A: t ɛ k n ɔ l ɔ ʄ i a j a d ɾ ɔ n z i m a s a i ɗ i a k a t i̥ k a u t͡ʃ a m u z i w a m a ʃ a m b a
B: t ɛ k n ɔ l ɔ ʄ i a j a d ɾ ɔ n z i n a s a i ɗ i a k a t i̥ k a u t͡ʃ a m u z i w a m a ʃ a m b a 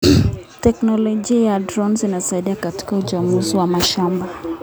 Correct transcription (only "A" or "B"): B